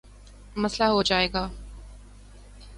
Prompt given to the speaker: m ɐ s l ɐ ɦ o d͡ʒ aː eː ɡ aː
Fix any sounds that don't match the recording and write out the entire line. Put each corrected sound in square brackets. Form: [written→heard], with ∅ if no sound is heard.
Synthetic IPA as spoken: m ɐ s l [ɐ→a] ɦ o d͡ʒ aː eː ɡ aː